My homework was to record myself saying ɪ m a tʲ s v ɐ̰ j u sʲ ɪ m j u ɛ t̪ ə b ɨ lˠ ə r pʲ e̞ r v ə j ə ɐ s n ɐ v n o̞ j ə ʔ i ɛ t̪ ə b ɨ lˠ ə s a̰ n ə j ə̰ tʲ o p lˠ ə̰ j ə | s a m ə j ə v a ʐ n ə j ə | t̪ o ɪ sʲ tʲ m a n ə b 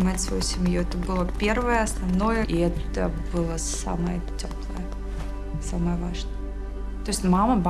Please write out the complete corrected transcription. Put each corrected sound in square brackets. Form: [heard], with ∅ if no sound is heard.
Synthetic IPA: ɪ m a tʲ s v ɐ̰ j u sʲ ɪ m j u ɛ t̪ ə b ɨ lˠ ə [∅] pʲ e̞ r v ə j ə ɐ s n ɐ v n o̞ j ə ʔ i ɛ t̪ ə b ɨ lˠ ə s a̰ [m] ə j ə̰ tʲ o p lˠ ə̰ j ə | s a m ə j ə v a ʐ n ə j ə | t̪ o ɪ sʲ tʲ m a [m] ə b